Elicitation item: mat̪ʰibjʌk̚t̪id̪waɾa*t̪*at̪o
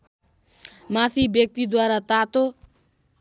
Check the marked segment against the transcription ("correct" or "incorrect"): correct